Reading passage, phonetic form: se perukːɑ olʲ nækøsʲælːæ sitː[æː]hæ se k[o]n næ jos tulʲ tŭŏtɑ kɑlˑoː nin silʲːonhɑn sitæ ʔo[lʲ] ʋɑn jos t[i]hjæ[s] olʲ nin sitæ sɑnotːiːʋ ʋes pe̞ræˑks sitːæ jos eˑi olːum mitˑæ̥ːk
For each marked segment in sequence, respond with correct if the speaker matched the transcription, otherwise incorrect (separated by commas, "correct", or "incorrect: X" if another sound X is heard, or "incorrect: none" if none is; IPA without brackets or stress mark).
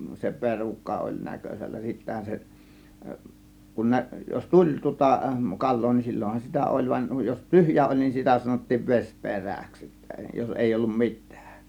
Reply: incorrect: æ, incorrect: u, correct, incorrect: y, incorrect: none